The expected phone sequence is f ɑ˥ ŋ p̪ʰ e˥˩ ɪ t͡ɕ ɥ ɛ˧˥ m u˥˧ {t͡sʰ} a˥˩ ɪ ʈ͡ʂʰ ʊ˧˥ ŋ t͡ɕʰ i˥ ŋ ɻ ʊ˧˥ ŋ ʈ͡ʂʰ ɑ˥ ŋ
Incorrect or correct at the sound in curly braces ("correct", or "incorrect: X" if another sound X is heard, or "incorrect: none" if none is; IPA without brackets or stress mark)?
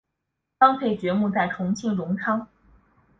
incorrect: t͡s